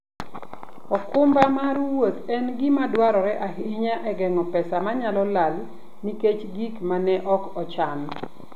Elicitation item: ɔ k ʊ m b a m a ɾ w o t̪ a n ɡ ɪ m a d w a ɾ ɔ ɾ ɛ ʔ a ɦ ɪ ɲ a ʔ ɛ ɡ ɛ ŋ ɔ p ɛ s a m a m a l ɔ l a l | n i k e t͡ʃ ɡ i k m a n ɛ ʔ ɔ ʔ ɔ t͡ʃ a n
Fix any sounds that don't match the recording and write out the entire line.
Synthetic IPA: ɔ k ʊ m b a m a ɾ w o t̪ ɛ n ɡ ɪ m a d w a ɾ ɔ ɾ ɛ ʔ a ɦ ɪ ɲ a ʔ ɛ ɡ ɛ ŋ ɔ p ɛ s a m a ɲ a l ɔ l a l | n i k e t͡ʃ ɡ i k m a n ɛ ʔ ɔ k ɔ t͡ʃ a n